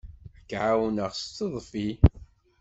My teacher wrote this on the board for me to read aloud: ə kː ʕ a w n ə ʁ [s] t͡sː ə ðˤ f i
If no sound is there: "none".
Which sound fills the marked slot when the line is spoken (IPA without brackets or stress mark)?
s